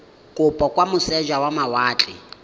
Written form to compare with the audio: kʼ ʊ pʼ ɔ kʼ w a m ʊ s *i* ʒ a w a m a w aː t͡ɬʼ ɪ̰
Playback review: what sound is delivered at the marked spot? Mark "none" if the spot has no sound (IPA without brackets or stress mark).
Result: ɛ